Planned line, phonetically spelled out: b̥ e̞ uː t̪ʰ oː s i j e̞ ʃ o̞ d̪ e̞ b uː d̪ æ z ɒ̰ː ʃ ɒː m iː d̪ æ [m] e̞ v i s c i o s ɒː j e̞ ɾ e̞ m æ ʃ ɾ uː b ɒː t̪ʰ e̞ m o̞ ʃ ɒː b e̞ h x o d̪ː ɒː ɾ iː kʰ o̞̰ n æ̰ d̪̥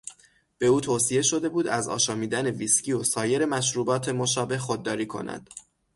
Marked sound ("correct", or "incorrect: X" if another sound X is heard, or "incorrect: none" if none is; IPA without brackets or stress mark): incorrect: n